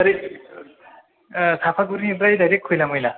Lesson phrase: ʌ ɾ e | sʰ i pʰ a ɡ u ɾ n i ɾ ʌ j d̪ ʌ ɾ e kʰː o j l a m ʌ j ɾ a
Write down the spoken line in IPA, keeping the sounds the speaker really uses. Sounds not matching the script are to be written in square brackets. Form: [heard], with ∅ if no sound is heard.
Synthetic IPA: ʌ ɾ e | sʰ [a] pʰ a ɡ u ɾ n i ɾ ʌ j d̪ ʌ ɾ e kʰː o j l a m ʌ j [l] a